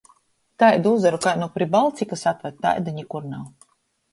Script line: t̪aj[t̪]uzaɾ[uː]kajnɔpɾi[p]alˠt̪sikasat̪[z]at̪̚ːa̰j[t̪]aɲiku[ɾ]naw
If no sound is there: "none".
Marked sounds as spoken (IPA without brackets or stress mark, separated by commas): d̪, u, b, v, d̪, ɾ